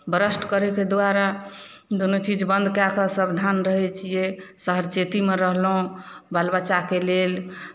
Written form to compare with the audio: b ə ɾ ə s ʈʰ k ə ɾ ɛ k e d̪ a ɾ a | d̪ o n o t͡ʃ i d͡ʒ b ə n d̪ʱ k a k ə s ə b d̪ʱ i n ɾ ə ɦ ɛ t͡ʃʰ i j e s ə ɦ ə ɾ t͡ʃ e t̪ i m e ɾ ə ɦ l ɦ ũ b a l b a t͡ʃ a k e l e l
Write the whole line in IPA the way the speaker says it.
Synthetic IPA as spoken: b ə ɾ ə s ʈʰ k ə ɾ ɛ k e d̪ a ɾ a | d̪ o n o t͡ʃ i d͡ʒ b ə n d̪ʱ k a k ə s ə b d̪ʱ a n ɾ ə ɦ ɛ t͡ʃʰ i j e s ə ɦ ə ɾ t͡ʃ e t̪ i m e ɾ ə ɦ l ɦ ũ b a l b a t͡ʃ a k e l e l